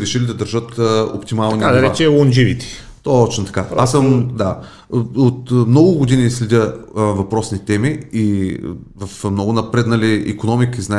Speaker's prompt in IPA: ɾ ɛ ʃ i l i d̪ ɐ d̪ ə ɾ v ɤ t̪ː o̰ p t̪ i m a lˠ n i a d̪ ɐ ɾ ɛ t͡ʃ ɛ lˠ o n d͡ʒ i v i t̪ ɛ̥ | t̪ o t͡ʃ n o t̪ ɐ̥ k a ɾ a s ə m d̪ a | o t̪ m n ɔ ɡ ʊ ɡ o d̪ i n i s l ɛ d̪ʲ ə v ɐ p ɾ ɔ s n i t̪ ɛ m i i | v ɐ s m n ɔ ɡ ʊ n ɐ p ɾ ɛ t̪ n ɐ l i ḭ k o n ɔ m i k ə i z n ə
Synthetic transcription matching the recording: ɾ ɛ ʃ i l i d̪ ɐ d̪ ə ɾ ʒ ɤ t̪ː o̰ p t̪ i m a lˠ n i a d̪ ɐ ɾ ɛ t͡ʃ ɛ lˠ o n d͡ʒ i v i t̪ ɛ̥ | t̪ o t͡ʃ n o t̪ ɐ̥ k a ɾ a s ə m d̪ a | o t̪ m n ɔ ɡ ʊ ɡ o d̪ i n i s l ɛ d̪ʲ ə v ɐ p ɾ ɔ s n i t̪ ɛ m i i | v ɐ f m n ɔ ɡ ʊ n ɐ p ɾ ɛ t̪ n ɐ l i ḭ k o n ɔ m i k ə i z n a